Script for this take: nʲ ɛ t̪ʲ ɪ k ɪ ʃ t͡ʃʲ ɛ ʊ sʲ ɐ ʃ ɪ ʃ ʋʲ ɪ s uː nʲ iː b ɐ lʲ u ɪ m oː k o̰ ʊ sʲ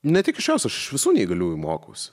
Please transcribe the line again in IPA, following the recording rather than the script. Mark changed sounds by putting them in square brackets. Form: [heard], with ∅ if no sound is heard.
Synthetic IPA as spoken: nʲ ɛ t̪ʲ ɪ k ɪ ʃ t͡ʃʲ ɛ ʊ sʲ ɐ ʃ ɪ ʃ ʋʲ ɪ s uː nʲ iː [ɡ] ɐ lʲ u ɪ m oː k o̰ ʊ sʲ

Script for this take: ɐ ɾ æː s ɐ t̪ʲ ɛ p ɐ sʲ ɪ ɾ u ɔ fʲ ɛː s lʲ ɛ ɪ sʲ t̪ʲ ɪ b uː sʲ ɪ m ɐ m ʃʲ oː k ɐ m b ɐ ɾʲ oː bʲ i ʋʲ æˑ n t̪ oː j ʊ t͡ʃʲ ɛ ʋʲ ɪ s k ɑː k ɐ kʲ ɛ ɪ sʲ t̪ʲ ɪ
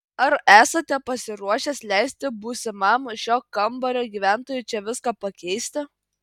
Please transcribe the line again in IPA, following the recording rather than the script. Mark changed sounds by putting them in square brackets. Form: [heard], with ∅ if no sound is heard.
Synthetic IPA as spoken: ɐ ɾ æː s ɐ t̪ʲ ɛ p ɐ sʲ ɪ ɾ u ɔ [ʃʲ] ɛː s lʲ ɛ ɪ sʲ t̪ʲ ɪ b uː sʲ ɪ m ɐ m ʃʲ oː k ɐ m b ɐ ɾʲ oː [ɡʲ] i ʋʲ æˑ n t̪ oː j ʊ t͡ʃʲ ɛ ʋʲ ɪ s k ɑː [p] ɐ kʲ ɛ ɪ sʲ t̪ʲ ɪ

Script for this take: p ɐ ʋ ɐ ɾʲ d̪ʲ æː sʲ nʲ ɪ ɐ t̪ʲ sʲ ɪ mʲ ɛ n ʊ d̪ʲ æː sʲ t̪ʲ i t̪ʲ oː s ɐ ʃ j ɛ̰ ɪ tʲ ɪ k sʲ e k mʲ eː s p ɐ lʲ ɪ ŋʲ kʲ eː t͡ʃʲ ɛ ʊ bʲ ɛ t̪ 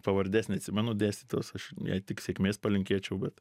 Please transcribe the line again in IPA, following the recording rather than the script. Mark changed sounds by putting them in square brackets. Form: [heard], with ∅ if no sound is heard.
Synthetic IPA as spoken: p ɐ ʋ ɐ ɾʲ d̪ʲ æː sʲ nʲ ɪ ɐ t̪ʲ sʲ ɪ mʲ ɛ n ʊ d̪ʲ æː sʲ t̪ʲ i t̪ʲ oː s ɐ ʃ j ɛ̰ ɪ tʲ ɪ k sʲ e k mʲ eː s p ɐ lʲ ɪ ŋʲ kʲ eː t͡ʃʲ ɛ ʊ bʲ ɛ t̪

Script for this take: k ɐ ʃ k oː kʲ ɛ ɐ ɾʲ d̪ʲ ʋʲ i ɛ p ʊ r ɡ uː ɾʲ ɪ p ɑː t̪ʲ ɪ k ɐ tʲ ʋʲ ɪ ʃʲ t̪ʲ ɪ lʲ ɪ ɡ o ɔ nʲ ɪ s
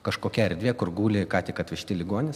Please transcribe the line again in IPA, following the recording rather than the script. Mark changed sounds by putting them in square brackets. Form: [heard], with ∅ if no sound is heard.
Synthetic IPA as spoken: k ɐ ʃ k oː kʲ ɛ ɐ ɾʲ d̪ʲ ʋʲ i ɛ [k] ʊ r ɡ uː [lʲ] ɪ [k] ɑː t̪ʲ ɪ k ɐ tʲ ʋʲ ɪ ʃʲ t̪ʲ ɪ lʲ ɪ ɡ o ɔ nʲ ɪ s

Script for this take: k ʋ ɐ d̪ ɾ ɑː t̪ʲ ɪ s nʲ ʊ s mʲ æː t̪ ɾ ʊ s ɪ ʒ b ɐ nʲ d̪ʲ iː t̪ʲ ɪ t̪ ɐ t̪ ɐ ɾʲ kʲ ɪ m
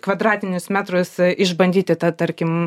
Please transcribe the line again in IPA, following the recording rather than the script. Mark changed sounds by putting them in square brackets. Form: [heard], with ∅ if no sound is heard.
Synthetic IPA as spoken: k ʋ ɐ d̪ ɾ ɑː t̪ʲ ɪ [∅] nʲ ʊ s mʲ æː t̪ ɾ ʊ s ɪ ʒ b ɐ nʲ d̪ʲ iː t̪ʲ ɪ t̪ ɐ t̪ ɐ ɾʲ kʲ ɪ m

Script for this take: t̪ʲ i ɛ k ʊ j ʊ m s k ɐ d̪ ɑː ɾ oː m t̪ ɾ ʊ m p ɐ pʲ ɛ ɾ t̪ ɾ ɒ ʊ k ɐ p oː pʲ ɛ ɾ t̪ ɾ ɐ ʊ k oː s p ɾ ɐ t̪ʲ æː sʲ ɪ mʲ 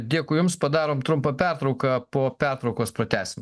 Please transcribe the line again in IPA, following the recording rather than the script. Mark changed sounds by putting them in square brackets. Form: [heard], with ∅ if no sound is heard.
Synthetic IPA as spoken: [d̪ʲ] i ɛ k ʊ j ʊ m s [p] ɐ d̪ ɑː ɾ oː m t̪ ɾ ʊ m p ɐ pʲ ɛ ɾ t̪ ɾ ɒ ʊ k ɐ p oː pʲ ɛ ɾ t̪ ɾ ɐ ʊ k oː s p ɾ ɐ t̪ʲ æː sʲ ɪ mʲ

